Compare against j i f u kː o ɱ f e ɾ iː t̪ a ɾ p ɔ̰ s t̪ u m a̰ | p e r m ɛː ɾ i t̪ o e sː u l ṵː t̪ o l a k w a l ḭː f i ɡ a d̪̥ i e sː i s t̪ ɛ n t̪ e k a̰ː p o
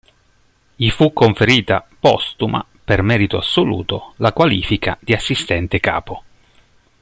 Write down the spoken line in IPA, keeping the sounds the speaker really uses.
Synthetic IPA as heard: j i f u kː o ɱ f e ɾ iː t̪ a p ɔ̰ s t̪ u m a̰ | p e r m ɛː ɾ i t̪ o a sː o l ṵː t̪ o l a k w a l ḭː f i k a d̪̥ i a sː i s t̪ ɛ n t̪ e k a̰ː p o

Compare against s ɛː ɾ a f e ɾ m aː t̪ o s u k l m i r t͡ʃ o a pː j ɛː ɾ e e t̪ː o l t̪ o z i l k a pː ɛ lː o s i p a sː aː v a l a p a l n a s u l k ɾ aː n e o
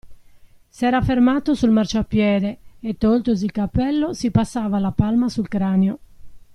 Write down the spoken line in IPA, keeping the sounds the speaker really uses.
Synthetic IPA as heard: s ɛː ɾ a f e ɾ m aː t̪ o s u l m a r t͡ʃ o a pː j ɛː ɾ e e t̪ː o l t̪ o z i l k a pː ɛ lː o s i p a sː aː v a l a p a l m a s u l k ɾ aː n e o

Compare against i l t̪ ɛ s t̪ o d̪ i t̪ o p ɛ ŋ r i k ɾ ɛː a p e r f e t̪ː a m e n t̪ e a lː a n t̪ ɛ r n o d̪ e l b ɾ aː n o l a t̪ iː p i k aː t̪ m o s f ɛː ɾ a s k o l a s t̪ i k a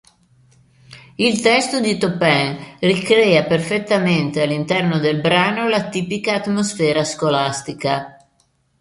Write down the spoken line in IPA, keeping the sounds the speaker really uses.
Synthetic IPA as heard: i l t̪ ɛ s t̪ o d̪ i t̪ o p ɛ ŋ r i k ɾ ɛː a p e r f e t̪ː a m e n t̪ e a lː i n t̪ ɛ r n o d̪ e l b ɾ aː n o l a t̪ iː p i k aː t̪ m o s f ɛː ɾ a s k o l a s t̪ i k a

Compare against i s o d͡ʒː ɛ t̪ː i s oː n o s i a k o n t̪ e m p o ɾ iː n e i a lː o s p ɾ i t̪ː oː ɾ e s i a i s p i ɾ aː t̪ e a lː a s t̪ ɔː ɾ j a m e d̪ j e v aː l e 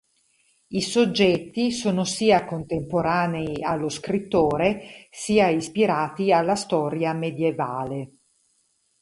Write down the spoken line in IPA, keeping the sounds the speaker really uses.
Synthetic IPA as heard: i s o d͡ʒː ɛ t̪ː i s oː n o s iː a k o n t̪ e m p o ɾ aː n e i a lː o s k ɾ i t̪ː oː ɾ e s iː a i s p i ɾ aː t̪ i a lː a s t̪ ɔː ɾ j a m e d̪ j e v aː l e

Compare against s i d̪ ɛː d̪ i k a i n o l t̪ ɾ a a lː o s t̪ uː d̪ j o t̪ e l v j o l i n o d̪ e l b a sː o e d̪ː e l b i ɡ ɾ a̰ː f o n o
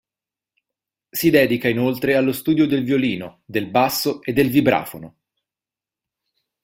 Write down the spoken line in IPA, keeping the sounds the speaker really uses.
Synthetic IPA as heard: s i d̪ ɛː d̪ i k a i n o l t̪ ɾ e a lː o s t̪ uː d̪ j o d̪ e l v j o l iː n o d̪ e l b a sː o e d̪ː e l v i b ɾ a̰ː f o n o

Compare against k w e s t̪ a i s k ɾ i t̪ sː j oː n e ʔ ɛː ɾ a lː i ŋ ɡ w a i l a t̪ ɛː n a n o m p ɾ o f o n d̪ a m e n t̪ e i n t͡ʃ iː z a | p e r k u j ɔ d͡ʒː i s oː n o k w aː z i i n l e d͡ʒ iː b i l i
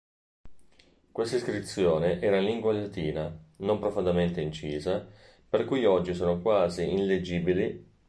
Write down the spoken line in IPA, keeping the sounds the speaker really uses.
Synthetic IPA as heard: k w e s t̪ a i s k ɾ i t̪ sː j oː n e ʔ ɛː ɾ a l i ŋ ɡ w a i l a t̪ iː n a n o m p ɾ o f o n d̪ a m e n t̪ e i n t͡ʃ iː z a | p e r k u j ɔ d͡ʒː i s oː n o k w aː z i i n l e d͡ʒ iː b i l i

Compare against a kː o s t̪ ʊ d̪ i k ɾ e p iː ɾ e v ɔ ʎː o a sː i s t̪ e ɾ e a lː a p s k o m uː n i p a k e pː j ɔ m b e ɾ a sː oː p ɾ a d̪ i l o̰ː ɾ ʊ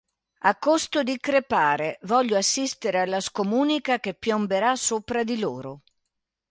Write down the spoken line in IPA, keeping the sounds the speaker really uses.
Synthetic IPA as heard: a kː o s t̪ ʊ d̪ i k ɾ e p aː ɾ e v ɔ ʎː o a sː i s t̪ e ɾ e a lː a s k o m uː n i k a k e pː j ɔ m b e ɾ a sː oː p ɾ a d̪ i l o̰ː ɾ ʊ

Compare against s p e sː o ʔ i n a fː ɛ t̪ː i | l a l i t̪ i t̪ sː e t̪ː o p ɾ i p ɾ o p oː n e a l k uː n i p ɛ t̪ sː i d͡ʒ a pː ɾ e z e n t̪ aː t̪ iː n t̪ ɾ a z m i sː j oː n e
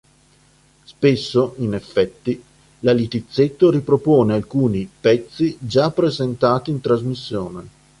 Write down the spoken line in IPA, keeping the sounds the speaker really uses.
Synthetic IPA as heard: s p e sː o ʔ i n e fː ɛ t̪ː i | l a l i t̪ i t̪ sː e t̪ː o ɾ i p ɾ o p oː n e a l k uː n i p ɛ t̪ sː i d͡ʒ a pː ɾ e z e n t̪ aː t̪ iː n t̪ ɾ a z m i sː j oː n e

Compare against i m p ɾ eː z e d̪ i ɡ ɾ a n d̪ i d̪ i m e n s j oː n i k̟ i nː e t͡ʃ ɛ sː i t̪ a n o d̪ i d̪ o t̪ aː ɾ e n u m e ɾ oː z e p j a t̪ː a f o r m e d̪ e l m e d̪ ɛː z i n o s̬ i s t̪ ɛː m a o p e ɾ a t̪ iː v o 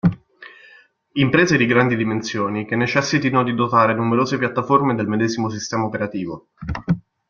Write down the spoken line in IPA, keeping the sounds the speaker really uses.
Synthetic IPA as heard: i m p ɾ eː z e d̪ i ɡ ɾ a n d̪ i d̪ i m e n s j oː n i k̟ e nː e t͡ʃ ɛ sː i t̪ i n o d̪ i d̪ o t̪ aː ɾ e n u m e ɾ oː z e p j a t̪ː a f o r m e d̪ e l m e d̪ ɛː z i m o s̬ i s t̪ ɛː m a o p e ɾ a t̪ iː v o

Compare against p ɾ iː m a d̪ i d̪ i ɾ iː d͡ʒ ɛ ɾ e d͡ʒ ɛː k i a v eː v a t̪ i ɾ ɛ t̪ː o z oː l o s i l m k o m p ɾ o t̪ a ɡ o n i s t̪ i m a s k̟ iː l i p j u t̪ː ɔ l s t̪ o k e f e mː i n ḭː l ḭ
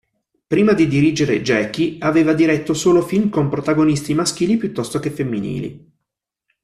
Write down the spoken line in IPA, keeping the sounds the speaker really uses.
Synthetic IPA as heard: p ɾ iː m a d̪ i d̪ i ɾ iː d͡ʒ e ɾ e d͡ʒ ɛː k i a v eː v a d̪ i ɾ ɛ t̪ː o s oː l o f i l m k o m p ɾ o t̪ a ɡ o n i s t̪ i m a s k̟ iː l i p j u t̪ː ɔ s t̪ o k e f e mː i n ḭː l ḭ

